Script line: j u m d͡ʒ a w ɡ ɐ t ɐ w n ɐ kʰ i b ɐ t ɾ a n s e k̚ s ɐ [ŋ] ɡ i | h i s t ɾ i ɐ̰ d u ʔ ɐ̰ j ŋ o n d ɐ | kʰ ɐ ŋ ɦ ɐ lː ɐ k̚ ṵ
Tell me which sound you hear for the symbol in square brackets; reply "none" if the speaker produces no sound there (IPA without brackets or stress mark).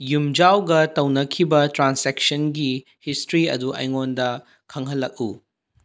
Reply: n